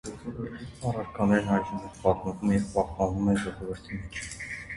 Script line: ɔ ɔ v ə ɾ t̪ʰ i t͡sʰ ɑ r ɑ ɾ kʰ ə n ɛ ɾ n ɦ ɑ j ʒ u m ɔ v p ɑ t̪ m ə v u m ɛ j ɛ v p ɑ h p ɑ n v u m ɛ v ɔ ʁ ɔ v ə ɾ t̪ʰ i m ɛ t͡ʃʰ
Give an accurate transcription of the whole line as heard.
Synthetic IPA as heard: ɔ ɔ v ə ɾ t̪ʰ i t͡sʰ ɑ r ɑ ɾ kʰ ɑ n ɛ ɾ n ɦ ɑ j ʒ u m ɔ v p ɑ t̪ m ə v u m ɛ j ɛ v p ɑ h p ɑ n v u m ɛ ʒ ɔ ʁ ɔ v ə ɾ t̪ʰ i m ɛ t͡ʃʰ